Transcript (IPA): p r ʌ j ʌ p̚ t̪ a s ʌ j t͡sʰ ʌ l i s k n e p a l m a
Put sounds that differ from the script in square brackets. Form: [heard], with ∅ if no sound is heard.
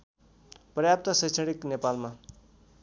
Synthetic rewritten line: p r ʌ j [a] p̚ t̪ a s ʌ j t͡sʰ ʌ [ɽ] i [∅] k n e p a l m a